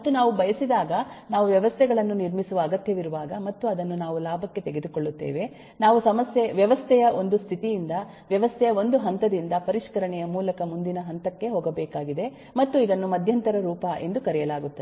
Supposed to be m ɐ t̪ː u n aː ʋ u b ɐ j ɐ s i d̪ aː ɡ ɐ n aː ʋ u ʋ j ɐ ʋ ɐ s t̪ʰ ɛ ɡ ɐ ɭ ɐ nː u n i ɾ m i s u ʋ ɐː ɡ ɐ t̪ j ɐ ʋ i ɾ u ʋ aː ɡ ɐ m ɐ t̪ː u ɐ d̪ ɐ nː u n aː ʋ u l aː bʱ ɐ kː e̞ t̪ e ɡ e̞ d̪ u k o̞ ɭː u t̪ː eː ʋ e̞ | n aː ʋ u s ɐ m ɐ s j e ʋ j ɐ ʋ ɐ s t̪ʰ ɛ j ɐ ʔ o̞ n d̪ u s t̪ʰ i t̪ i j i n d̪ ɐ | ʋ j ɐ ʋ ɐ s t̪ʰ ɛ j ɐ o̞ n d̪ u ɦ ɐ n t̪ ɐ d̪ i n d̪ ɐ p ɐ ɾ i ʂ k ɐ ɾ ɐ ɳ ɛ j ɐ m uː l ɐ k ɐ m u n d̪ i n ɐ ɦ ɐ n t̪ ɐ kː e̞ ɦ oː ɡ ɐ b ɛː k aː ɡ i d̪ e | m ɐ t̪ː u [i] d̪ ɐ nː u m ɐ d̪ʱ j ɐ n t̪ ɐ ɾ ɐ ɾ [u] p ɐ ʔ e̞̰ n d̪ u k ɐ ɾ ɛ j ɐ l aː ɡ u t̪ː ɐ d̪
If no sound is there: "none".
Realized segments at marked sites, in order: i, uː

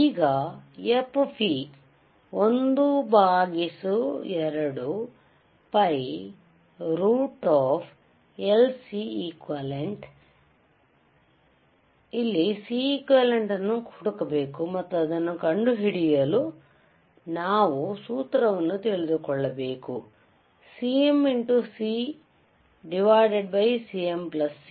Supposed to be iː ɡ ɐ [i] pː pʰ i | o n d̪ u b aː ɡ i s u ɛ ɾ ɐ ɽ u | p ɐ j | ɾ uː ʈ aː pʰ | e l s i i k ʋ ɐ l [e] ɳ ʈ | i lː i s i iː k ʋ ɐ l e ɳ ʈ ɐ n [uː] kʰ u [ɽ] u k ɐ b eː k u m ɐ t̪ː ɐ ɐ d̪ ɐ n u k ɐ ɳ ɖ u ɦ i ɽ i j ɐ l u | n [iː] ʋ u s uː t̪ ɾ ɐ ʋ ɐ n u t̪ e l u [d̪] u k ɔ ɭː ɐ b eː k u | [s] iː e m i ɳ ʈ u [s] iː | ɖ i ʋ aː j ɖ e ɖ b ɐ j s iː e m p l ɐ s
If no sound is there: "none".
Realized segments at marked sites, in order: e, e, u, ɽ, aː, d̪, s, s

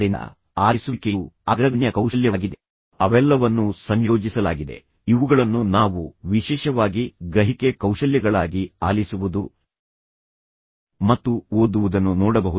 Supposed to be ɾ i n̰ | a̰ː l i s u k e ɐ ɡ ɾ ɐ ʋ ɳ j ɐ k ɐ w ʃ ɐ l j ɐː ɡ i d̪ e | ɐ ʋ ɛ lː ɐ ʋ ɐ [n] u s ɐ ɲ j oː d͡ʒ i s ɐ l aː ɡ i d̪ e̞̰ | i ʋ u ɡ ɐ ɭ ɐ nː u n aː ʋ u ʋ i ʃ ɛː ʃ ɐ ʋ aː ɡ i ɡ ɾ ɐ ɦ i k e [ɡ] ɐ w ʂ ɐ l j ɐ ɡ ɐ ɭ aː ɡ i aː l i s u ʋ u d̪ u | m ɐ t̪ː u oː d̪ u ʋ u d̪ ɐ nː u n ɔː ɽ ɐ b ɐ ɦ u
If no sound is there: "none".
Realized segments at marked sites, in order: nː, k

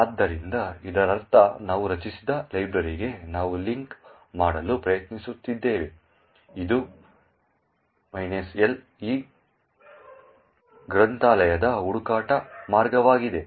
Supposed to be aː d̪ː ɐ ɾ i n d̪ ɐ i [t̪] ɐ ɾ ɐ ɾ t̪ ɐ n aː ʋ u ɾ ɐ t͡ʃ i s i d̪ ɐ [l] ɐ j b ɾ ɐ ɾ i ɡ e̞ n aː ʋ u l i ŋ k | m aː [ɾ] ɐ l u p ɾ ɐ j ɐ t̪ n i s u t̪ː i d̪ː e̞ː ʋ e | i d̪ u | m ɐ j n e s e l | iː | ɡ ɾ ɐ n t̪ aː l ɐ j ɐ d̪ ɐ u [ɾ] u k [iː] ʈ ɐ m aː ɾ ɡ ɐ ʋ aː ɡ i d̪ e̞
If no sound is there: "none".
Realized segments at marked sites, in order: d̪, l, ɽ, ɽ, aː

